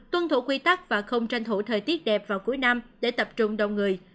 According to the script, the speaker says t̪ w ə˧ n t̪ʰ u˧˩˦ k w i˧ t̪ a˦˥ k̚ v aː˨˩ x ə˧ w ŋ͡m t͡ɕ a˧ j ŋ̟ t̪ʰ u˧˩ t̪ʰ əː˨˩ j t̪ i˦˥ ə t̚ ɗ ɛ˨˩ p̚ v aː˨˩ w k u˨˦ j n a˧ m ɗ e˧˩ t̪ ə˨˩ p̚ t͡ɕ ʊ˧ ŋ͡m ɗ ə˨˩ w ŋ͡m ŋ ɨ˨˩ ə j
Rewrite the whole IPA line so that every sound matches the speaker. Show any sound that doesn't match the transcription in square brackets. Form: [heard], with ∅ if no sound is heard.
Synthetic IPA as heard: t̪ w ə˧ n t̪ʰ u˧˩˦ k w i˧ t̪ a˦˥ k̚ v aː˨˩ x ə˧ w ŋ͡m t͡ɕ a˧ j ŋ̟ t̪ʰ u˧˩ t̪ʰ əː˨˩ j t̪ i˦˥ ə t̚ ɗ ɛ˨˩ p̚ v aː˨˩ w k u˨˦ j n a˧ m ɗ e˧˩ t̪ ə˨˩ p̚ t͡ɕ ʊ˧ ŋ͡m ɗ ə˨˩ w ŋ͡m ŋ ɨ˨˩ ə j